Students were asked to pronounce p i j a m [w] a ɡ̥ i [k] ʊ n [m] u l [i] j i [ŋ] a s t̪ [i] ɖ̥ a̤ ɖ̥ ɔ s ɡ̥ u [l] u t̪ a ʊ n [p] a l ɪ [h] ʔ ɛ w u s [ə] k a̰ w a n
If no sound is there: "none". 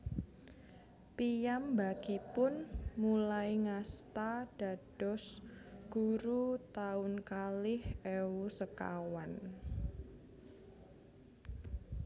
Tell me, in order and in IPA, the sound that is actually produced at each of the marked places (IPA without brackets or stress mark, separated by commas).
b, p, m, a, ŋ, a, ɾ, k, h, ə